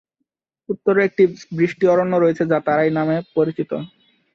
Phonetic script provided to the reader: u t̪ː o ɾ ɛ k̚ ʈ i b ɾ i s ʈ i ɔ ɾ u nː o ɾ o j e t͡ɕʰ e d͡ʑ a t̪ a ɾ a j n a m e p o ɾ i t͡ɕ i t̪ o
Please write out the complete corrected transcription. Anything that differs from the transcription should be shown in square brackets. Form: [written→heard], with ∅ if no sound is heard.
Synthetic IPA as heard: u t̪ː o ɾ [ɛ→e] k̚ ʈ i b ɾ i [s→ʃ] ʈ i ɔ ɾ [u→o] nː o ɾ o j e t͡ɕʰ e d͡ʑ a t̪ a ɾ a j n a m e p o ɾ i t͡ɕ i t̪ o